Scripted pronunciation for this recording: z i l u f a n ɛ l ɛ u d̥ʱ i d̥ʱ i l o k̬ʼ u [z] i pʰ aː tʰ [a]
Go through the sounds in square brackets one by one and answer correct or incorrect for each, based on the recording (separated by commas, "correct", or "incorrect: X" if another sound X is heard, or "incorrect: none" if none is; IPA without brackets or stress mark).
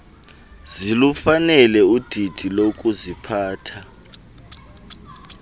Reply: correct, correct